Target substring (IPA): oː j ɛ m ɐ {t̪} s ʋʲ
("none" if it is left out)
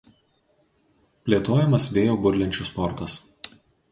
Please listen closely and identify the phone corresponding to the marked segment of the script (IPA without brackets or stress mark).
none